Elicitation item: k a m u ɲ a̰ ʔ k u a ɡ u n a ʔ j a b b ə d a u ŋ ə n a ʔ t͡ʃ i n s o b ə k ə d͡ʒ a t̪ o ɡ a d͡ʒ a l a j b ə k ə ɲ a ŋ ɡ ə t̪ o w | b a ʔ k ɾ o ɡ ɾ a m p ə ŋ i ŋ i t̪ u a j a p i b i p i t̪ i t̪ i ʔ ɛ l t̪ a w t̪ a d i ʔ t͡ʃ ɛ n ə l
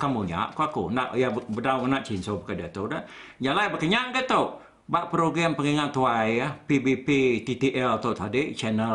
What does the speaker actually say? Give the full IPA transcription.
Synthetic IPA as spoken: k a m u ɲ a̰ ʔ k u a k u n a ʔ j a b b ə d a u ŋ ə n a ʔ t͡ʃ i n s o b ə k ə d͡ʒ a t̪ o d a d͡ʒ a l a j b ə k ə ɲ a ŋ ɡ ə t̪ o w | b a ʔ p ɾ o ɡ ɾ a m p ə ŋ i ŋ a t̪ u a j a p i b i p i t̪ i t̪ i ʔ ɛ l t̪ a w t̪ a d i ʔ t͡ʃ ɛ n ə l